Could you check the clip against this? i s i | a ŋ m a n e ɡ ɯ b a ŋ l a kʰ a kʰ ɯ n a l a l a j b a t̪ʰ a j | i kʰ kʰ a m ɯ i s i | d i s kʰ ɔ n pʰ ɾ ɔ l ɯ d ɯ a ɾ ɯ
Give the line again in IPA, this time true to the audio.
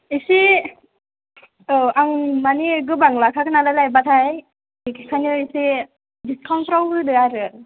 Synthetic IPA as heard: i s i | a ŋ m a n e ɡ ɯ b a ŋ l a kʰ a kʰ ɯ n a l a l a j b a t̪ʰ a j | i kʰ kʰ a n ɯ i s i | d i s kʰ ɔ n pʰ ɾ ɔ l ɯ d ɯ a ɾ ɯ

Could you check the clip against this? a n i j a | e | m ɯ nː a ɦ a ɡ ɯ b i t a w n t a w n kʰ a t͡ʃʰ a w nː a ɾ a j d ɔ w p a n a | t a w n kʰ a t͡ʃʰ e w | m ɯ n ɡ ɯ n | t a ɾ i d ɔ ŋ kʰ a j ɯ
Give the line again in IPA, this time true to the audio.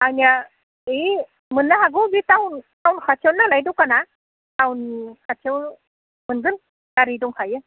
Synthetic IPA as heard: a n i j a | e | m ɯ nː a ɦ a ɡ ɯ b i t a w n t a w n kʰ a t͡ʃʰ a w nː a l a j d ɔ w k a n a | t a w n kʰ a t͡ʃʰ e w | m ɯ n ɡ ɯ n | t a ɾ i d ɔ ŋ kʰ a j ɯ

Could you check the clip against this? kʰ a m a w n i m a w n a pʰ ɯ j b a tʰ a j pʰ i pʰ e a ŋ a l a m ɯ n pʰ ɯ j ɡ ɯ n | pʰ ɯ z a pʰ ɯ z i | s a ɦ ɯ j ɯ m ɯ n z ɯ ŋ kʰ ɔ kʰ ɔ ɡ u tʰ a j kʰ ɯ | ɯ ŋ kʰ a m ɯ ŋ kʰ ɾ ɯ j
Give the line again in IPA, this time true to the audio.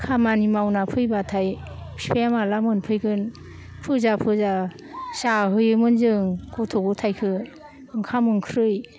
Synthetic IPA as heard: kʰ a m a n i m a w n a pʰ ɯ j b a tʰ a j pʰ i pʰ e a m a l a m ɯ n pʰ ɯ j ɡ ɯ n | pʰ ɯ z a pʰ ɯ z a | s a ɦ ɯ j ɯ m ɯ n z ɯ ŋ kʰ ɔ tʰ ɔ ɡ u tʰ a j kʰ ɯ | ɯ ŋ kʰ a m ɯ ŋ kʰ ɾ ɯ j

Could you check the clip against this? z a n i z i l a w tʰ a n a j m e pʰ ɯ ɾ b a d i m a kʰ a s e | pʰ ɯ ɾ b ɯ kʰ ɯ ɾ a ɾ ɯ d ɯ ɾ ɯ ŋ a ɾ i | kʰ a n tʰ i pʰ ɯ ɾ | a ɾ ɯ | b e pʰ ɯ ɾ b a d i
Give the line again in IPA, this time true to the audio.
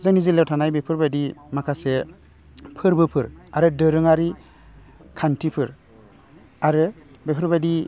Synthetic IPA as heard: z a n i z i l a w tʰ a n a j b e pʰ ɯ ɾ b a d i m a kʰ a s e | pʰ ɯ ɾ b ɯ pʰ ɯ ɾ a ɾ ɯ d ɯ ɾ ɯ ŋ a ɾ i | kʰ a n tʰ i pʰ ɯ ɾ | a ɾ ɯ | b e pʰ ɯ ɾ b a d i

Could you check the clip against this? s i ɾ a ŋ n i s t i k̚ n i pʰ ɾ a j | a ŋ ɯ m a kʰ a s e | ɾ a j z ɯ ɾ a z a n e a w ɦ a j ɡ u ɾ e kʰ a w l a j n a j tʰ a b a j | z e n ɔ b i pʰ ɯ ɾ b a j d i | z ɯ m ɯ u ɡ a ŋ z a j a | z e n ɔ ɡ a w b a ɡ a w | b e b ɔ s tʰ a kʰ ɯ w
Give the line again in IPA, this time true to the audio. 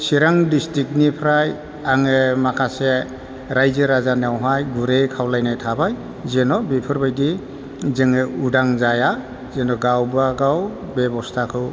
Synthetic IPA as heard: s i ɾ a ŋ d i s t i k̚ n i pʰ ɾ a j | a ŋ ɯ m a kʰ a s e | ɾ a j z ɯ ɾ a z a n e a w ɦ a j ɡ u ɾ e kʰ a w l a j n a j tʰ a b a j | z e n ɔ b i pʰ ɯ ɾ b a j d i | z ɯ ŋ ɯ u d a ŋ z a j a | z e n ɔ ɡ a w b a ɡ a w | b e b ɔ s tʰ a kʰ ɯ w

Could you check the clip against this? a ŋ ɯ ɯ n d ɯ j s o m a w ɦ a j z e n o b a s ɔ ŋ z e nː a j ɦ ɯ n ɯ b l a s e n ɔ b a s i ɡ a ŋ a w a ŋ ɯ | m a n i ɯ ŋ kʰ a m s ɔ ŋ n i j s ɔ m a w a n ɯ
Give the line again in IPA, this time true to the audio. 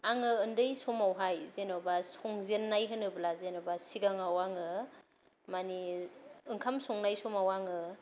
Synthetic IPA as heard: a ŋ ɯ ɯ n d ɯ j s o m a w ɦ a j z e n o b a s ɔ ŋ z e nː a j ɦ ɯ n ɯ b l a z e n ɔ b a s i ɡ a ŋ a w a ŋ ɯ | m a n i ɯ ŋ kʰ a m s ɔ ŋ n a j s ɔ m a w a ŋ ɯ

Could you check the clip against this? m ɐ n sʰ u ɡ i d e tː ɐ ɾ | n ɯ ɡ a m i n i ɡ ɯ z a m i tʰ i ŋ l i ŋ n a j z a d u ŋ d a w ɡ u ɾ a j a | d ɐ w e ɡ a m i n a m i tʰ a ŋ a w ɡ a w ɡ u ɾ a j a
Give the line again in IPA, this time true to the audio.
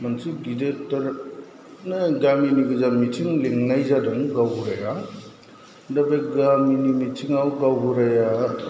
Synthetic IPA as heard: m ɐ n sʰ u ɡ i d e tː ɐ ɾ | n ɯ ɡ a m i n i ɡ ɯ z a m i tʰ i ŋ l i ŋ n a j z a d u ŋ ɡ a w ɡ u ɾ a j a | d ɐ b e ɡ a m i n i m i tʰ i ŋ a w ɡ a w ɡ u ɾ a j a

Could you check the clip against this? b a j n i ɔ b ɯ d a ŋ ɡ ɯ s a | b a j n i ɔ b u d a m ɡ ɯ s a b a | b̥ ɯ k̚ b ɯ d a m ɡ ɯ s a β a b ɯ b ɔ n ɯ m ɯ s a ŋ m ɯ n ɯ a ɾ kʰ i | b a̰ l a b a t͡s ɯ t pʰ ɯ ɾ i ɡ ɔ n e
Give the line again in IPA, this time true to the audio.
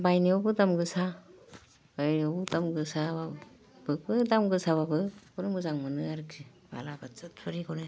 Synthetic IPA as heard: b a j n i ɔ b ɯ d a m ɡ ɯ s a | b a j n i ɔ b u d a m ɡ ɯ s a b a | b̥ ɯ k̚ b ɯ d a m ɡ ɯ s a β a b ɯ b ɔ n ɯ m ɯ z a ŋ m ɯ n ɯ a ɾ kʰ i | b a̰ l a b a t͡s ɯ t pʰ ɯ ɾ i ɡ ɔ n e

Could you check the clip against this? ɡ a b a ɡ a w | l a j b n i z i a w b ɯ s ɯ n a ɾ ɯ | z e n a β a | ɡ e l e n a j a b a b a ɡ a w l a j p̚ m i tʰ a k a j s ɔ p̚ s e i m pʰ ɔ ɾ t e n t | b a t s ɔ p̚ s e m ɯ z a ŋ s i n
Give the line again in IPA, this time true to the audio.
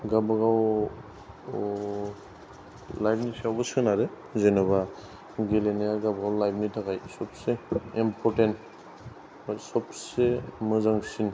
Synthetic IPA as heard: ɡ a b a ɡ a w | l a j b n i s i a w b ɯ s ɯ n a ɾ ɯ | z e n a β a | ɡ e l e n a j a ɡ a b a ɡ a w l a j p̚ n i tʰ a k a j s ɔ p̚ s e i m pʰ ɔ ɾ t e n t | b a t s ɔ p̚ s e m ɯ z a ŋ s i n

